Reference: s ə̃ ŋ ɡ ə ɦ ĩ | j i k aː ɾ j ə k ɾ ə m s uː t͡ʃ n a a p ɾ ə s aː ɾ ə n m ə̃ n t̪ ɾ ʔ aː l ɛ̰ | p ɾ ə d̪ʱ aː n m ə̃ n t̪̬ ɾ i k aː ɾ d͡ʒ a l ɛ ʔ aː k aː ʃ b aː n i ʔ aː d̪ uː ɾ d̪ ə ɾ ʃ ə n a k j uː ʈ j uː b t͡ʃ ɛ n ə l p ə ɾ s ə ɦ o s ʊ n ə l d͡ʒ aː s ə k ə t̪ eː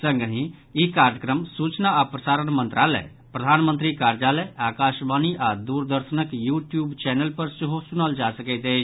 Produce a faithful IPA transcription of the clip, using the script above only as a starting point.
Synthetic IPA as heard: s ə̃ ŋ ɡ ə ɦ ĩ | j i k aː ɾ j ə k ɾ ə m s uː t͡ʃ n a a p ɾ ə s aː ɾ ə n m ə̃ n t̪ ɾ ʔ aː l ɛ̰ | p ɾ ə d̪ʱ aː n m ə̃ n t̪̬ ɾ i k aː ɾ d͡ʒ a l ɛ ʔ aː k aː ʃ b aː n i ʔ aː d̪ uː ɾ d̪ ə ɾ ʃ ə n ə k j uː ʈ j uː b t͡ʃ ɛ n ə l p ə ɾ s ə ɦ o s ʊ n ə l d͡ʒ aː s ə k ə t̪ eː